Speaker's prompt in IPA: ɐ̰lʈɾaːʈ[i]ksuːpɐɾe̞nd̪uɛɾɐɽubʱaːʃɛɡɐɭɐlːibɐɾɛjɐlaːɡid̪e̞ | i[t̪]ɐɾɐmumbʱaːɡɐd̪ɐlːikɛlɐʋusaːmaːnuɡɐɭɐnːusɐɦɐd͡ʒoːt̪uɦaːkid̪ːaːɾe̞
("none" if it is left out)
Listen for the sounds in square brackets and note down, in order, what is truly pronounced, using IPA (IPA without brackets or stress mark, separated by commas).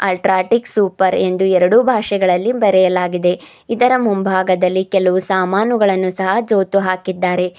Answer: i, d̪